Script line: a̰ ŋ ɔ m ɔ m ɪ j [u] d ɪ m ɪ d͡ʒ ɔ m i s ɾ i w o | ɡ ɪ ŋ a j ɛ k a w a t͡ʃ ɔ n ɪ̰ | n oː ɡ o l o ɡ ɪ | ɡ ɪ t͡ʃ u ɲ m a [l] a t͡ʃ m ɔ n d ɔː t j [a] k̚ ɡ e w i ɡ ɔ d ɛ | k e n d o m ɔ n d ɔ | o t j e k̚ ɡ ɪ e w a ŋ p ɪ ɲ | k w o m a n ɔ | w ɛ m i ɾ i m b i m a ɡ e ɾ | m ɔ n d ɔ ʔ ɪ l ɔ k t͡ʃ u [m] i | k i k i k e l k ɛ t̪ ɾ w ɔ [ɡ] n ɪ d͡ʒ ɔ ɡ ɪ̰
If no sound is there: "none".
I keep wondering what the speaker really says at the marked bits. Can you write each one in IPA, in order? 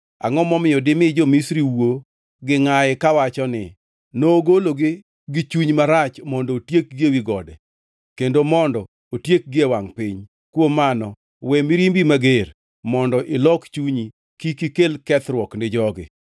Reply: ɔ, ɾ, e, ɲ, k

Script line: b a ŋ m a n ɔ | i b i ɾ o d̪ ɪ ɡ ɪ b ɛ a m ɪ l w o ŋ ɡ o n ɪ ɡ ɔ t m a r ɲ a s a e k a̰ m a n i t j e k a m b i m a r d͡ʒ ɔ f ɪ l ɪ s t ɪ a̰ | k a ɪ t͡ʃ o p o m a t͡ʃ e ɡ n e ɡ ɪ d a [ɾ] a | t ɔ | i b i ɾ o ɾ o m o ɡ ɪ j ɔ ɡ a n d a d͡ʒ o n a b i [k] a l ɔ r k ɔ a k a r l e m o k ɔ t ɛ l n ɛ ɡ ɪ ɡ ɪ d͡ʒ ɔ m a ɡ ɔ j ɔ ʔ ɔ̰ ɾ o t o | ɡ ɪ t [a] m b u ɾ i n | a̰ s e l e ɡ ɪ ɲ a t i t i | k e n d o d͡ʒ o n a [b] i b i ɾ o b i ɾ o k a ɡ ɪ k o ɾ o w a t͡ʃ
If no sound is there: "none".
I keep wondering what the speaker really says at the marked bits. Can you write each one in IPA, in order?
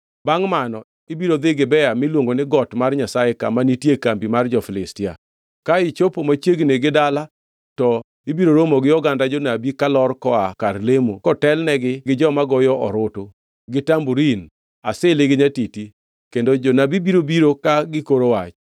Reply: l, k, a, b

